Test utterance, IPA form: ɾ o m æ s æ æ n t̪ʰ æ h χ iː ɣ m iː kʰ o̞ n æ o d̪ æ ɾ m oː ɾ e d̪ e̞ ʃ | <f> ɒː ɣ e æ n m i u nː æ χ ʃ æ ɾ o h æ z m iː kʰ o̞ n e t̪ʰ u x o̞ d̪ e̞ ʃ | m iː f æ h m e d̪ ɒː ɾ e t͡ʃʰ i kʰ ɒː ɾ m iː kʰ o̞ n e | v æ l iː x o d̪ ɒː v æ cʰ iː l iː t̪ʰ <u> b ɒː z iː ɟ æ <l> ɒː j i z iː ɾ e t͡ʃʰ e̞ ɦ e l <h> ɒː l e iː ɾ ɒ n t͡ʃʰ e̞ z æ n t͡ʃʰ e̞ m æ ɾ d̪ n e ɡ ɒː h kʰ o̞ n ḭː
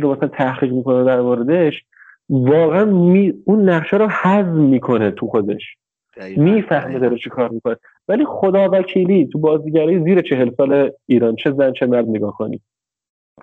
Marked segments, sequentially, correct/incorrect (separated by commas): incorrect, correct, incorrect, incorrect